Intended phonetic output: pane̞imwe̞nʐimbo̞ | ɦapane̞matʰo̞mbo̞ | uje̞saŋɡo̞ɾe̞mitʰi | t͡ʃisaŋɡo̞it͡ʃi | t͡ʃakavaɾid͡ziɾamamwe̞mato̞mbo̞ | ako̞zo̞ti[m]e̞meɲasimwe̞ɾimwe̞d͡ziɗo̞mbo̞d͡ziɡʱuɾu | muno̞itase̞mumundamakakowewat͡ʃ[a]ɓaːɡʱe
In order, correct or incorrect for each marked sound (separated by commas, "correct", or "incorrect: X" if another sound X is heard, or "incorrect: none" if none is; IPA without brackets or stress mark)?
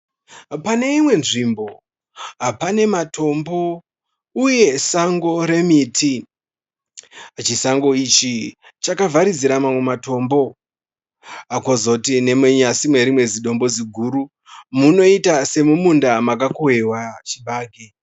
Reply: incorrect: n, incorrect: i